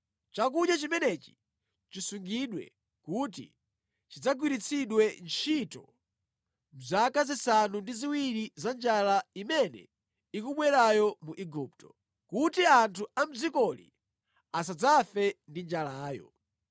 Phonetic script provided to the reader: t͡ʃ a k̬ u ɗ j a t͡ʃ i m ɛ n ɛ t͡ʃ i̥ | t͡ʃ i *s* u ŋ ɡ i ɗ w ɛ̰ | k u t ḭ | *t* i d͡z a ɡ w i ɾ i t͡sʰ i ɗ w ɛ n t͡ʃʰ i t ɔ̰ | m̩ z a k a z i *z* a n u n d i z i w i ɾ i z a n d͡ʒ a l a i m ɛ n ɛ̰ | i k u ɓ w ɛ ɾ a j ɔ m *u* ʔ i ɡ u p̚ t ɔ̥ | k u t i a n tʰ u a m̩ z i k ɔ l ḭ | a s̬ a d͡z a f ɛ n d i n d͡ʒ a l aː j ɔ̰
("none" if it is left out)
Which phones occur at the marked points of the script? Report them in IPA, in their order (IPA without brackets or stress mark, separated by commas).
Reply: s, t͡ʃ, s, u